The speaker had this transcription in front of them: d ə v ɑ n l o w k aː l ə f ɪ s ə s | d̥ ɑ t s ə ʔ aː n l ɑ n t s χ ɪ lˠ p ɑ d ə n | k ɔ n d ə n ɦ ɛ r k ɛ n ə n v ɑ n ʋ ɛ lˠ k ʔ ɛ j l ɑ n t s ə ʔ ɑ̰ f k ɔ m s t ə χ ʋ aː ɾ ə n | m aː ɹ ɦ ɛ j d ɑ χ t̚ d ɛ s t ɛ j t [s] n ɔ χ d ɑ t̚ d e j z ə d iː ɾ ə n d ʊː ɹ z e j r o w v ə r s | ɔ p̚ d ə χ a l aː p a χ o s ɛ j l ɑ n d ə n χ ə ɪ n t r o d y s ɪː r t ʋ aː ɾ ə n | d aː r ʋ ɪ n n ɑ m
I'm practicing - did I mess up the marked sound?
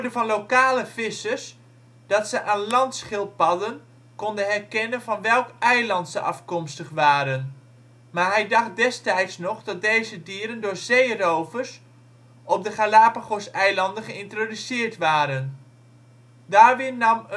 no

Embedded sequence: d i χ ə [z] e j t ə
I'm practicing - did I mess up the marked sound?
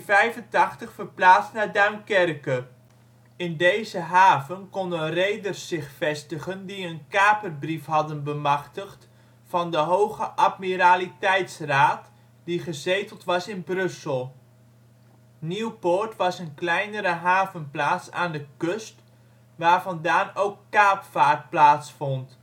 no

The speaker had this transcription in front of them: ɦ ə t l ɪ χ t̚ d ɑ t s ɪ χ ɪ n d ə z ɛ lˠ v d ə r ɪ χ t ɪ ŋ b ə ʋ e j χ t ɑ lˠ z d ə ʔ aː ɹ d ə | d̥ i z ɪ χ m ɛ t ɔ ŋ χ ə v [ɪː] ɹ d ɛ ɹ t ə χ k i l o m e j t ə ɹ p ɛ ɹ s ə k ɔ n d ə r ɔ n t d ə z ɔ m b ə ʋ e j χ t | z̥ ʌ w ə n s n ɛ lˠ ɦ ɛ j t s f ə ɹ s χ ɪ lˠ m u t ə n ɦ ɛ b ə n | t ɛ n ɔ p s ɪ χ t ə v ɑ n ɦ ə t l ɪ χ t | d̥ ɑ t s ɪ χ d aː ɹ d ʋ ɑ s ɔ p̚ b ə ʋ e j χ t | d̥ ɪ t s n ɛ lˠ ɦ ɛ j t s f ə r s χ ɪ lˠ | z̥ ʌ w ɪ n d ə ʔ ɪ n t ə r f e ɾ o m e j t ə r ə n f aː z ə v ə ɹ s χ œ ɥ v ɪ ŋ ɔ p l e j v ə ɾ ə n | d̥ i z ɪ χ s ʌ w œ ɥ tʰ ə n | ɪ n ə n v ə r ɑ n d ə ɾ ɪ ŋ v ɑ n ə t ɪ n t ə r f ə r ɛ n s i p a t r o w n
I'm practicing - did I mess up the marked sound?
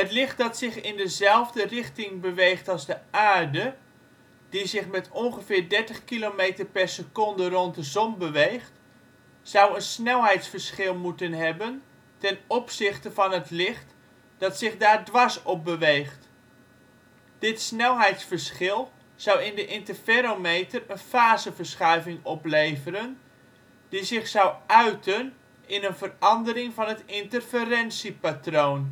no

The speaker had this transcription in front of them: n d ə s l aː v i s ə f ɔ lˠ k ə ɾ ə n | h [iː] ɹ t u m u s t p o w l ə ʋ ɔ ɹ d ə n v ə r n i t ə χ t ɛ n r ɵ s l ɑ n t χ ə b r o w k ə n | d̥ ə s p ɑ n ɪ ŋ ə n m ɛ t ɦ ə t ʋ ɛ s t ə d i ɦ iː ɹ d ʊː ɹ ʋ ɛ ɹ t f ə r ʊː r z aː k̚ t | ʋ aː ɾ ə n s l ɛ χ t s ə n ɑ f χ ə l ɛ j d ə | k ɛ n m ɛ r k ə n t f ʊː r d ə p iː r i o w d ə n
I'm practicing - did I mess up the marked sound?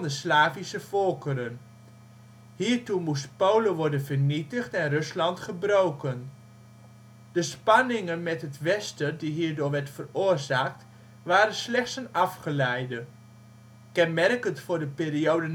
no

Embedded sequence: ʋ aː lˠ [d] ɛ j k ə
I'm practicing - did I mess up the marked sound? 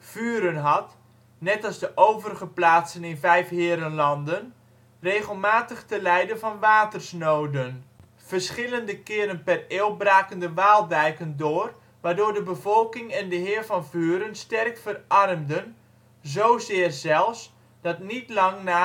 no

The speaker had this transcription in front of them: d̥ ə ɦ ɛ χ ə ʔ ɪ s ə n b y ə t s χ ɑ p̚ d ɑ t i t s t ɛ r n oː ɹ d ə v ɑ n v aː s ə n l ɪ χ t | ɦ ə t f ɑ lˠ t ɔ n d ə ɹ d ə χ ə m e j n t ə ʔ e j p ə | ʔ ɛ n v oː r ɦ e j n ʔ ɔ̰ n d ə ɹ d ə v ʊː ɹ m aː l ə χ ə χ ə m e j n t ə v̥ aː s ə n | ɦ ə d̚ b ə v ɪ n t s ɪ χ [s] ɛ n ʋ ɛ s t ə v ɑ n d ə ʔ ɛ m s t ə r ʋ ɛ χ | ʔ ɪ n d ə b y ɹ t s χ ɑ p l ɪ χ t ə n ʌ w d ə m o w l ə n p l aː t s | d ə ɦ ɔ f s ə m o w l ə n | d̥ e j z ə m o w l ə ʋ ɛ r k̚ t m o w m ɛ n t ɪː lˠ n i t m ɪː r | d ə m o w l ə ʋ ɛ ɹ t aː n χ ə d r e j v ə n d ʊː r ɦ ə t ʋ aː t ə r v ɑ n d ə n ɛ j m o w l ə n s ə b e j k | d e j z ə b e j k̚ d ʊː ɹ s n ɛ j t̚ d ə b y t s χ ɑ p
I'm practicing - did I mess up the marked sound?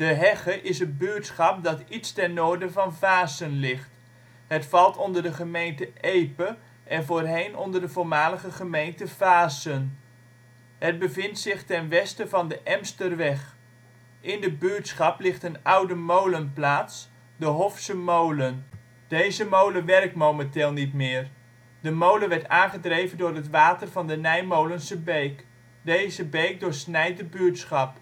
yes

